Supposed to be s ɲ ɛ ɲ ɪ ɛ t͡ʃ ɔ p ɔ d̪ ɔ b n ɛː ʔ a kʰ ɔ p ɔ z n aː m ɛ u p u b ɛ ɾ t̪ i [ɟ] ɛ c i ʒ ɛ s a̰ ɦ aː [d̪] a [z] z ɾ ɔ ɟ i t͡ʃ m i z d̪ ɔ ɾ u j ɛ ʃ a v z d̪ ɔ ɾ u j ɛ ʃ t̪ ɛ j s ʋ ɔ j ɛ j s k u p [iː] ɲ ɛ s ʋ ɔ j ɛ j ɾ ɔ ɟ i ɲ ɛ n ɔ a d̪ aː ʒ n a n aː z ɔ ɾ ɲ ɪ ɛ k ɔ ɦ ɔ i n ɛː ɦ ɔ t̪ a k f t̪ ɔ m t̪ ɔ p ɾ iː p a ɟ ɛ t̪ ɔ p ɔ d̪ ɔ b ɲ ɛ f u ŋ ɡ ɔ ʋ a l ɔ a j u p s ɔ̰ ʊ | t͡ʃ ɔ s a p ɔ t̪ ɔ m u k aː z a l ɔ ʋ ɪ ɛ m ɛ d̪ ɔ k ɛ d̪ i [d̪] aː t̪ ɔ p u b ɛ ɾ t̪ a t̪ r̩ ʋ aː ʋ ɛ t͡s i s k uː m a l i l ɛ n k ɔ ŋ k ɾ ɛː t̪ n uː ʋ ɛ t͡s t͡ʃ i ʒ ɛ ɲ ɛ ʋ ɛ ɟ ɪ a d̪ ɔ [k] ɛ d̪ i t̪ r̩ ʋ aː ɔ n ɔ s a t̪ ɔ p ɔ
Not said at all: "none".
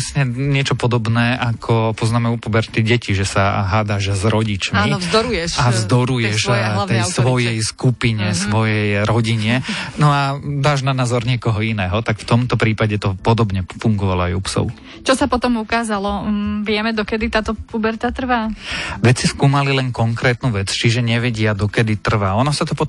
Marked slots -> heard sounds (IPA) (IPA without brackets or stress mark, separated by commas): ɟ, d̪, ʒ, i, t̪, k